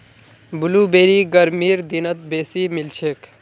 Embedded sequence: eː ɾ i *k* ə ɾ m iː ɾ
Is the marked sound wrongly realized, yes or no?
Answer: yes